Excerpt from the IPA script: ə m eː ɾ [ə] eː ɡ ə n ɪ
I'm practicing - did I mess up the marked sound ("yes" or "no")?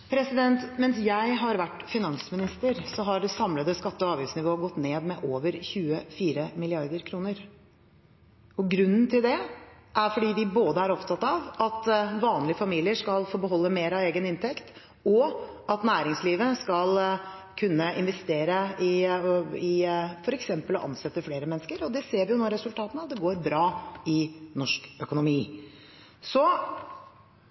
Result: yes